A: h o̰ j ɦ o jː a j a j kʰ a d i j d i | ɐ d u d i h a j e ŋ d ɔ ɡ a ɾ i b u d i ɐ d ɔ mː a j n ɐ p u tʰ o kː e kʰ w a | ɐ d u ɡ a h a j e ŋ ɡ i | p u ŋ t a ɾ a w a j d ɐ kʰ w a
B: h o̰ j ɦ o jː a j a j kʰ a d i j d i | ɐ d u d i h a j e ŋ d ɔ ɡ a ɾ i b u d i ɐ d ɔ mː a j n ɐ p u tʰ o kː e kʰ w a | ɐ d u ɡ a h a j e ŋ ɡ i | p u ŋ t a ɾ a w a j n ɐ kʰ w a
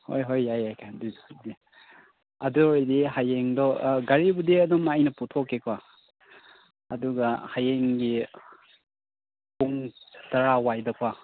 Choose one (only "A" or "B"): A